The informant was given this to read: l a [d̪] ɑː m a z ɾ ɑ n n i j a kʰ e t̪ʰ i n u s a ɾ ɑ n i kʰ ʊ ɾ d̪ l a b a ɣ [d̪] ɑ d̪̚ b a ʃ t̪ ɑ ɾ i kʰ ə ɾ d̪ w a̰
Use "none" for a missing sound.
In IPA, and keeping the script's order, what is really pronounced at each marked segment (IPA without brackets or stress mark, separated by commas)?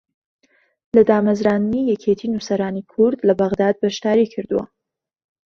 d̪, d̪